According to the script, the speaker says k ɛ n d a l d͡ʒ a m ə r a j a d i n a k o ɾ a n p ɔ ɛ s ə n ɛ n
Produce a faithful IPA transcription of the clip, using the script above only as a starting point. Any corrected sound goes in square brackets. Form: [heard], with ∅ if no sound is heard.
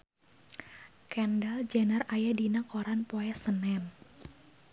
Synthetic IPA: k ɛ n d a l d͡ʒ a [n] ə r a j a d i n a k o ɾ a n p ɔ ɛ s ə n ɛ n

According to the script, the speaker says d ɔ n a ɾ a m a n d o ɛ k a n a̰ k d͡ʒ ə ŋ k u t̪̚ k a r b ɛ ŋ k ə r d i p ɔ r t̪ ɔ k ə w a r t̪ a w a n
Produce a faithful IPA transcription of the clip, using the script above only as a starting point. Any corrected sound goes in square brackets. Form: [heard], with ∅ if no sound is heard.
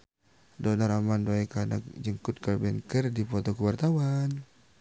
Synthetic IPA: d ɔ n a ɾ a m a n d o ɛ k a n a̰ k d͡ʒ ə ŋ k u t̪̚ k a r b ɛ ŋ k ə r d i p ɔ [∅] t̪ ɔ k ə w a r t̪ a w a n

